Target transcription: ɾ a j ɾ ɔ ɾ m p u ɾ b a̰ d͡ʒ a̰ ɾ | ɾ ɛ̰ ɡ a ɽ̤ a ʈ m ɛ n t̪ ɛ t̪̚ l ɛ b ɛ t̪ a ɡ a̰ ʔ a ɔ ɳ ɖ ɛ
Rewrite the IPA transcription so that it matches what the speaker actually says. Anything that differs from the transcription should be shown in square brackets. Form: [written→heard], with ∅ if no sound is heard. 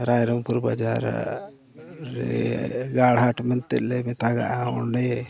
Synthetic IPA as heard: ɾ a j ɾ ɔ [ɾ→∅] m p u ɾ b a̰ d͡ʒ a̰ ɾ | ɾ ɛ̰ ɡ a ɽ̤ a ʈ m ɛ n t̪ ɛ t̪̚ l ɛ [b→m] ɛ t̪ a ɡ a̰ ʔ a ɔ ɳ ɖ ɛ